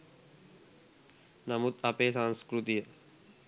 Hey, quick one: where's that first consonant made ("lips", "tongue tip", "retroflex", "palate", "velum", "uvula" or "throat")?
tongue tip